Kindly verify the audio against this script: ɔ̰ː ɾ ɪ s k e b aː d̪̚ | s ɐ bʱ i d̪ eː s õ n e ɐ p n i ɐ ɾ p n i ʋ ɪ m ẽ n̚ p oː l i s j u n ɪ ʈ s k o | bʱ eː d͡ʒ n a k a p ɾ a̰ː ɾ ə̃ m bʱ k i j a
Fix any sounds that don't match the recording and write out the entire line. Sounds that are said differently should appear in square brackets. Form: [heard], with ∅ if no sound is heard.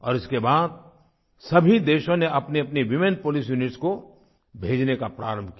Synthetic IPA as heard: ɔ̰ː ɾ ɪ s k e b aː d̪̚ | s ɐ bʱ i d̪ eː [ʃ] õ n e ɐ p n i ɐ [∅] p n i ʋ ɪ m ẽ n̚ p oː l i s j u n ɪ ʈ s k o | bʱ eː d͡ʒ n [e] k a p ɾ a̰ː ɾ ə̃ m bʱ k i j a

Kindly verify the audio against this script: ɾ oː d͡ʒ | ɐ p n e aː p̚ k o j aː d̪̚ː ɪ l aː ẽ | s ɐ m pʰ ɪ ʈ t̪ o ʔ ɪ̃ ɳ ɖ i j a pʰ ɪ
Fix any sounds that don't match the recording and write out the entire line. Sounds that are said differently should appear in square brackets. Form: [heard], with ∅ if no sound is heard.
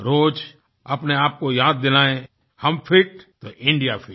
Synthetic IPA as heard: ɾ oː d͡ʒ | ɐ p n e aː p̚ k o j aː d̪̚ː ɪ l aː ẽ | [h] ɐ m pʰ ɪ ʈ t̪ o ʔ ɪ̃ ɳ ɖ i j a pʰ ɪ

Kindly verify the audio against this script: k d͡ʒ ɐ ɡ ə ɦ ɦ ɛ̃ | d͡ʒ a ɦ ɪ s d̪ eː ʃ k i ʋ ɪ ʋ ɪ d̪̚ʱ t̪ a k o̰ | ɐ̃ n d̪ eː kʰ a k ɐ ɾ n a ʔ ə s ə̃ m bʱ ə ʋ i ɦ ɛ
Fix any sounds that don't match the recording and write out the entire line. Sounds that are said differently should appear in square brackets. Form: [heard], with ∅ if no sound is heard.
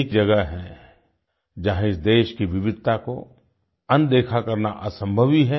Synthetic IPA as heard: k d͡ʒ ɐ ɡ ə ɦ ɦ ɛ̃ | d͡ʒ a ɦ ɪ s d̪ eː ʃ k i ʋ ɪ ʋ ɪ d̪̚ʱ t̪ a k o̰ | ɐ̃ n d̪ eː kʰ a k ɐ ɾ n a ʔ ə s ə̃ m bʱ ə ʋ i ɦ ɛ

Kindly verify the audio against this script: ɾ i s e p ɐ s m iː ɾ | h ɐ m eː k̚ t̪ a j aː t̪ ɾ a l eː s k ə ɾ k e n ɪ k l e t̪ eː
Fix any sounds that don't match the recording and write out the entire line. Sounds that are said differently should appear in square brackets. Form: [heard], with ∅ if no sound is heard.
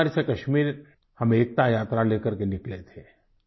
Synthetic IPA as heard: ɾ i s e [k] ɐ [ʃ] m iː ɾ | h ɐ m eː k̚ t̪ a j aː t̪ ɾ a l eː [∅] k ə ɾ k e n ɪ k l e [t̪ʰ] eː

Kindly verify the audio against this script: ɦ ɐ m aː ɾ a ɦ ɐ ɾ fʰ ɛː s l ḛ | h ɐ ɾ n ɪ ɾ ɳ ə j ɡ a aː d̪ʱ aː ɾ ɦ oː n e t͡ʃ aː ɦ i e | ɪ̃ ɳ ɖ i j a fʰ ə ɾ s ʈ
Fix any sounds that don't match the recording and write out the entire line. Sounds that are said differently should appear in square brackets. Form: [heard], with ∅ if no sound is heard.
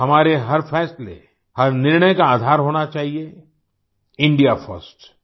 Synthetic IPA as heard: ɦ ɐ m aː ɾ [e] ɦ ɐ ɾ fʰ ɛː s l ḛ | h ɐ ɾ n ɪ ɾ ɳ ə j [k] a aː d̪ʱ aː ɾ ɦ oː n [a] t͡ʃ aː ɦ i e | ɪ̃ ɳ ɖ i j a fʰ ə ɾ s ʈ

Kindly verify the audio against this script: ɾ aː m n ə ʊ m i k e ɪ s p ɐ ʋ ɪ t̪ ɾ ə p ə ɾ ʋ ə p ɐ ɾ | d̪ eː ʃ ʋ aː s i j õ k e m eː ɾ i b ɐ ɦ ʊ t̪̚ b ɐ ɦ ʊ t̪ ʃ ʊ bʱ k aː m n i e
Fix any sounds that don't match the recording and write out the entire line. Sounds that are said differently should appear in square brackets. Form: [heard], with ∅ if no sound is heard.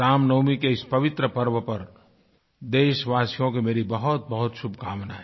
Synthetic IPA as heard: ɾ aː m n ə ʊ m i k e ɪ s p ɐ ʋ ɪ t̪ ɾ ə p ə ɾ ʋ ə p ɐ ɾ | d̪ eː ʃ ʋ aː s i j õ k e m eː ɾ i b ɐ ɦ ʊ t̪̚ b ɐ ɦ ʊ t̪ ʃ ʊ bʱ k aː m n [a] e

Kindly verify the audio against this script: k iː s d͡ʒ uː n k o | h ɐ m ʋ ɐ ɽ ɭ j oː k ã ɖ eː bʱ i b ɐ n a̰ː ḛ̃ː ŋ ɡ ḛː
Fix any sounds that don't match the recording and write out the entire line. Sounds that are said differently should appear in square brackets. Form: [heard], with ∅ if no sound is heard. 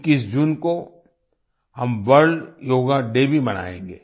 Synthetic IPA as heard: k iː s d͡ʒ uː n k o | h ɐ m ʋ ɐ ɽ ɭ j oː [ɡ] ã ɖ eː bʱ i b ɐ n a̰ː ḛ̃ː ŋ ɡ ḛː

